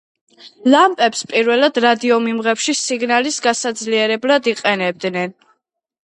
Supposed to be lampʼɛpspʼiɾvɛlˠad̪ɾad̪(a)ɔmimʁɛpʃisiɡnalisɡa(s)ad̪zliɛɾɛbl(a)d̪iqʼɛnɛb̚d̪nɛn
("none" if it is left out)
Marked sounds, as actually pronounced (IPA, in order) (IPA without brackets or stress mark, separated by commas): i, s, a